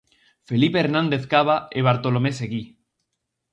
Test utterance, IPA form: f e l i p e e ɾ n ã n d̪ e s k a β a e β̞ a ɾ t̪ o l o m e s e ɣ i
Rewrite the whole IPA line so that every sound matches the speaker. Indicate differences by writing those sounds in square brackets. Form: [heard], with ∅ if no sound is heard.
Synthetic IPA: f e l i p e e ɾ n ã n d̪ e [θ] k a β a e β̞ a ɾ t̪ o l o m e s e ɣ i